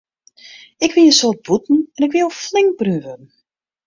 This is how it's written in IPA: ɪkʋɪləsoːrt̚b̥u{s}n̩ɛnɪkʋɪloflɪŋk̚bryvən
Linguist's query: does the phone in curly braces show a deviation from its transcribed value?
yes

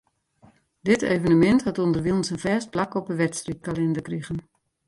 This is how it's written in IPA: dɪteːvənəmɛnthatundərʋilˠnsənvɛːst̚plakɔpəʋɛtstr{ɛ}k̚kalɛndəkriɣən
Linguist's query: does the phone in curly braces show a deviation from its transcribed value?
yes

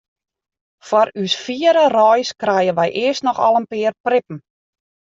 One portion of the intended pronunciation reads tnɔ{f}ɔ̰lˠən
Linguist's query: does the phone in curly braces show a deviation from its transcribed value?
yes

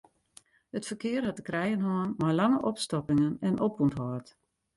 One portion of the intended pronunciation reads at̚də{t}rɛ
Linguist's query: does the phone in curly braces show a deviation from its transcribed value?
yes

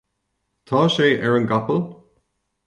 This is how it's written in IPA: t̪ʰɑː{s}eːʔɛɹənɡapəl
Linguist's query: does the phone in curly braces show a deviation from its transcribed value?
yes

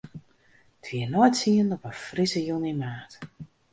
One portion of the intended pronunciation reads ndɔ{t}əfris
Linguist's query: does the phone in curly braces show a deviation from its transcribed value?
yes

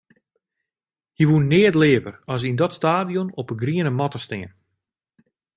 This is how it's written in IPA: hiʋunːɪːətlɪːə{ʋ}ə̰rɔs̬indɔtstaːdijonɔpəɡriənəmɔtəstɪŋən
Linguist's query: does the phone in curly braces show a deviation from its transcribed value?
yes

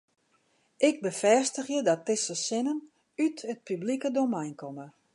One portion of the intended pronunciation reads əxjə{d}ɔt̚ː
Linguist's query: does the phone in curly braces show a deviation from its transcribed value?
no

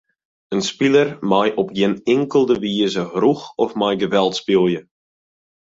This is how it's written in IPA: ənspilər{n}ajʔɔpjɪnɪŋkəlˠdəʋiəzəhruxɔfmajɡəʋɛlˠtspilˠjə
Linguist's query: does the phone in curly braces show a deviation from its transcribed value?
yes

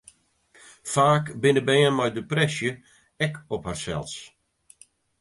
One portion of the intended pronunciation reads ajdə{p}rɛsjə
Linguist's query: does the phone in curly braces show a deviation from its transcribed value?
no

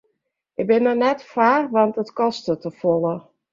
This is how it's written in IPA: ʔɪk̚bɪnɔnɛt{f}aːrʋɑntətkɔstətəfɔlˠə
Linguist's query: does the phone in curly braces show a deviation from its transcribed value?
no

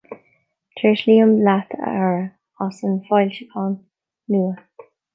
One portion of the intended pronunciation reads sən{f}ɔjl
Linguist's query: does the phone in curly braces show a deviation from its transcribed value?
no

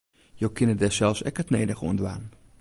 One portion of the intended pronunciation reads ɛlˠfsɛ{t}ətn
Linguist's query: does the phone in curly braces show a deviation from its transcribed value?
yes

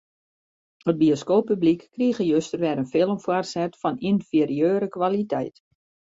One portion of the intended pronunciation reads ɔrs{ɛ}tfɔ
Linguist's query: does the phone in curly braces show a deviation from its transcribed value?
no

